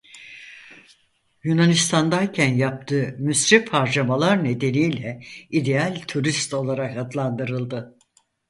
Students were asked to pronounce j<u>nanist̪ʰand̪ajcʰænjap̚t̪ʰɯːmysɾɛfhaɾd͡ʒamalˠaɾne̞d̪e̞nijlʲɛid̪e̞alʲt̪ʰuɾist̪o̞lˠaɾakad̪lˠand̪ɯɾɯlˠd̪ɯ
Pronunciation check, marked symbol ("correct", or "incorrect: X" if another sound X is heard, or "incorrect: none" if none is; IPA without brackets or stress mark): correct